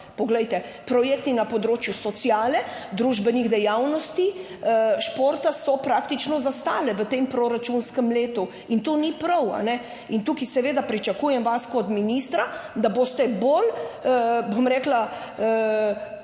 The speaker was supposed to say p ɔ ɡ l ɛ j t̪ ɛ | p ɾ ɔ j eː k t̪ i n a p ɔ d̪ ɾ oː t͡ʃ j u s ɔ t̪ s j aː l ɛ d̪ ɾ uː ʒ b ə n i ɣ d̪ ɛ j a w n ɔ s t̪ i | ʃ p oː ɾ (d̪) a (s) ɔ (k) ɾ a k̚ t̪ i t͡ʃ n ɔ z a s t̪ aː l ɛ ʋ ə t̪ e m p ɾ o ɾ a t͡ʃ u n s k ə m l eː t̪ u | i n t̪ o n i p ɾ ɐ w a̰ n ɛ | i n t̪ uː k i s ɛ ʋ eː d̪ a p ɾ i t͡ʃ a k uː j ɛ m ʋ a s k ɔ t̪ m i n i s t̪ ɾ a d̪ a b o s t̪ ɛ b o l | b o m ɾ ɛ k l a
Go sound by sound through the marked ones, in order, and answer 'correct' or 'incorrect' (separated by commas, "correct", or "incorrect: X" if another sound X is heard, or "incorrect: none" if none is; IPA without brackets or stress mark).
incorrect: t̪, correct, incorrect: p